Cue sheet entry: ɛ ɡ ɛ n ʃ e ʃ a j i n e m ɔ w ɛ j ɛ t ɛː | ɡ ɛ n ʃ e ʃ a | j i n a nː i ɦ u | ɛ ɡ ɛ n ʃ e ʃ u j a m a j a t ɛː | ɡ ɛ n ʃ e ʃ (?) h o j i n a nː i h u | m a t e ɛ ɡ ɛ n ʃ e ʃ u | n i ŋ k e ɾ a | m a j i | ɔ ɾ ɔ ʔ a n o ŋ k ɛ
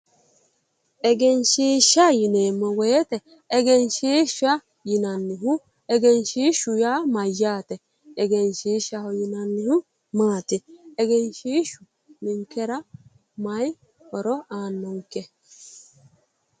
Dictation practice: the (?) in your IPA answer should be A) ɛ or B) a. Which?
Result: B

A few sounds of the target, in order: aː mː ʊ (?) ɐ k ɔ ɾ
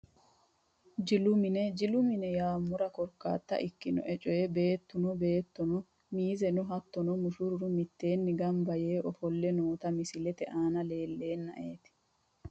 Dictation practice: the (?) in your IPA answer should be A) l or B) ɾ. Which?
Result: B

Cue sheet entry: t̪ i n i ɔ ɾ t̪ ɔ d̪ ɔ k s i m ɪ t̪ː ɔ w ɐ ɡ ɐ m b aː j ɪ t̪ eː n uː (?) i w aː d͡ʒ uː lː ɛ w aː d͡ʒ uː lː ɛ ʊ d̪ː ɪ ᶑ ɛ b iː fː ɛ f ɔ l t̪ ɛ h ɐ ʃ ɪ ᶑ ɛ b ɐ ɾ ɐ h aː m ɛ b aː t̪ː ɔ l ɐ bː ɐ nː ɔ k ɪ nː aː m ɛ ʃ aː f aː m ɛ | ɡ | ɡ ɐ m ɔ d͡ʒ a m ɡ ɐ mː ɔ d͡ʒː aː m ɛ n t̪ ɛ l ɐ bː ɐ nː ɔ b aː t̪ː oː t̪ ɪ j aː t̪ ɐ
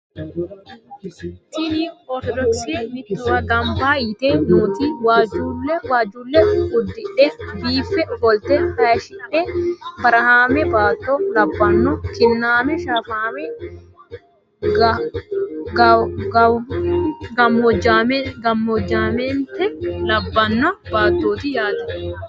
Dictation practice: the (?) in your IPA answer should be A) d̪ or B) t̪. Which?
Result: B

